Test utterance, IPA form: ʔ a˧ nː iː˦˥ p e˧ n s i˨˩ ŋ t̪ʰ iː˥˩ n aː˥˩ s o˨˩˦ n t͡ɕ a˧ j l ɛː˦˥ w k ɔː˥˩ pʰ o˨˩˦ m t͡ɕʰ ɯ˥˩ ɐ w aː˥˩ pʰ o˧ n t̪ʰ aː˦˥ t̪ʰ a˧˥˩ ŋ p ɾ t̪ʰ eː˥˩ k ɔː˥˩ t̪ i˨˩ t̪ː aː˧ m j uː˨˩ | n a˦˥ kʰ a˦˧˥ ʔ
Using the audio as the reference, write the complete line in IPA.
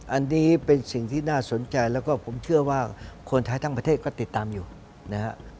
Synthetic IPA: ʔ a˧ nː iː˦˥ p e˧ n s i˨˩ ŋ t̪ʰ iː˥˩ n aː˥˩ s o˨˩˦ n t͡ɕ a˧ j l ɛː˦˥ w k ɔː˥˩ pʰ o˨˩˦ m t͡ɕʰ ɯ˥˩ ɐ w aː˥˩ kʰ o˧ n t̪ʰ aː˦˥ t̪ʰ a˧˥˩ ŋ p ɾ t̪ʰ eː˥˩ k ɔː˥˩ t̪ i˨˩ t̪ː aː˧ m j uː˨˩ | n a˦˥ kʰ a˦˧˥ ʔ